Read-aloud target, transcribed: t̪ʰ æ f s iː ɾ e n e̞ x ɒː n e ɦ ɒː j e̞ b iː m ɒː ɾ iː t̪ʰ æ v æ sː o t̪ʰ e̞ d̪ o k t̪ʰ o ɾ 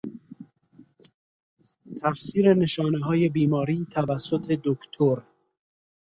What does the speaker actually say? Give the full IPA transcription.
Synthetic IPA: t̪ʰ æ f s iː ɾ e n e̞ ʃ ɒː n e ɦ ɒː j e̞ b iː m ɒː ɾ iː t̪ʰ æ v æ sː o t̪ʰ e̞ d̪ o k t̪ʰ o ɾ